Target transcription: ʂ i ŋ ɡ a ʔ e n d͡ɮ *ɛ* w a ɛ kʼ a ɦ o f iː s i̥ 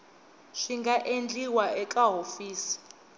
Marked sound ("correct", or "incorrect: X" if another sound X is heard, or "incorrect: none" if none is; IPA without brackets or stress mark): incorrect: i